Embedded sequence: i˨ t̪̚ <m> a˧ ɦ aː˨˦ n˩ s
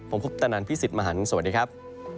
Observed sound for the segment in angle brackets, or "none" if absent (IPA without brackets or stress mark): m